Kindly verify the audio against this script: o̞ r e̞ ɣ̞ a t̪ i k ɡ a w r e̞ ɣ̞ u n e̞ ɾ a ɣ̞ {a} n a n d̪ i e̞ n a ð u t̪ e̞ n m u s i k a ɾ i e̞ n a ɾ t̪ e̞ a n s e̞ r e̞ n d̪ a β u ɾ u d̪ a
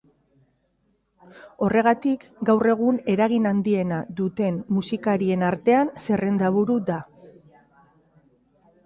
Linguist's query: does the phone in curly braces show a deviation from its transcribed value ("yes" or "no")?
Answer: yes